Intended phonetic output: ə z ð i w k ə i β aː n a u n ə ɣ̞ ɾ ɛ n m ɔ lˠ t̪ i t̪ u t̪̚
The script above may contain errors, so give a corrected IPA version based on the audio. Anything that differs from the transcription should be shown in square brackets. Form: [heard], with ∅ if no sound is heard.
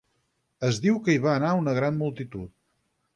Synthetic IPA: ə z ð i w k ə i β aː n a u n ə ɣ̞ ɾ [a] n m [u] lˠ t̪ i t̪ u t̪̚